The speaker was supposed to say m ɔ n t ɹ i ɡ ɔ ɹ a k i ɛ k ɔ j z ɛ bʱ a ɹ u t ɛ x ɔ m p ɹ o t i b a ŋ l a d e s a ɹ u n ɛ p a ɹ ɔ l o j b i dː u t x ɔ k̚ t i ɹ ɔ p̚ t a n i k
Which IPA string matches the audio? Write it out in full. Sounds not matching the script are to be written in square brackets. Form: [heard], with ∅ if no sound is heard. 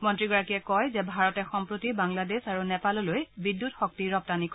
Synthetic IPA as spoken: m ɔ n t ɹ i ɡ ɔ ɹ a k i ɛ k ɔ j z ɛ bʱ a ɹ [ɔ] t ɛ x ɔ m p ɹ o t i b a ŋ l a d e s a ɹ u n ɛ p a [l] ɔ l o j b i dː u t x ɔ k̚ t i ɹ ɔ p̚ t a n i k